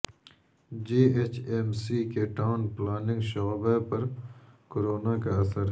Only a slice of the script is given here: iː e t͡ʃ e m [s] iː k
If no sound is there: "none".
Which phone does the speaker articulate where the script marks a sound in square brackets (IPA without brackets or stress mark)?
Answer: s